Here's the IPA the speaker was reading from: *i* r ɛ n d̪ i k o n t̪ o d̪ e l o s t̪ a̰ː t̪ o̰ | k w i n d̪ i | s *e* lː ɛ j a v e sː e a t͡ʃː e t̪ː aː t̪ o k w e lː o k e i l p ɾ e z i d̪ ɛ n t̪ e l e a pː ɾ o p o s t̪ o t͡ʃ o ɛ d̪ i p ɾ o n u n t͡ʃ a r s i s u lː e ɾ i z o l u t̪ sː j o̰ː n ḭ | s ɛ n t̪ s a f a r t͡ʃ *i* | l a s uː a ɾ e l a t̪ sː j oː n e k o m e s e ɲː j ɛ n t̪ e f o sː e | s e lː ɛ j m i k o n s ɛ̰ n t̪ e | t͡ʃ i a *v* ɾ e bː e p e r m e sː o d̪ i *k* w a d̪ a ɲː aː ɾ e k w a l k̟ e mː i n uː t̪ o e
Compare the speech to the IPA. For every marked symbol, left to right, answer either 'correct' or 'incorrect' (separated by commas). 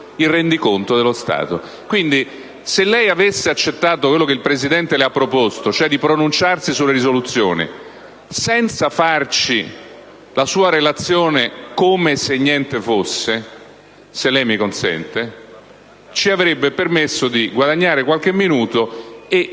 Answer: correct, correct, correct, correct, incorrect